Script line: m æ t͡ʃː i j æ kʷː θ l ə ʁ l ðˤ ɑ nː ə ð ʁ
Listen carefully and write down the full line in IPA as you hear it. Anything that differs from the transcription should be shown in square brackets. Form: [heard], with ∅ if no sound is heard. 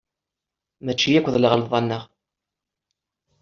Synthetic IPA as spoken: m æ t͡ʃː i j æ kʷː [ð] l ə ʁ l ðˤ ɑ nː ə [∅] ʁ